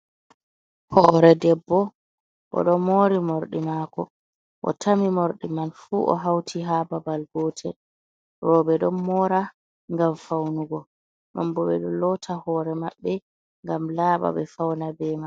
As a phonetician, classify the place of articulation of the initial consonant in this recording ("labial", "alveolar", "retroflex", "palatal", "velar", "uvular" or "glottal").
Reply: glottal